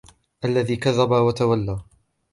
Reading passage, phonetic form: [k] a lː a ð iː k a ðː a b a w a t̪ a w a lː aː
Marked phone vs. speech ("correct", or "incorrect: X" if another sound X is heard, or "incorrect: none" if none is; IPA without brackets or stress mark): incorrect: ʔ